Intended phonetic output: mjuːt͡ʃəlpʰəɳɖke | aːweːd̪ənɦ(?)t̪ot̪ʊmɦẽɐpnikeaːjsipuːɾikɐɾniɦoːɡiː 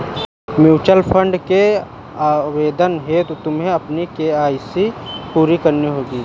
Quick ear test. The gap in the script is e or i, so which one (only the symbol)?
e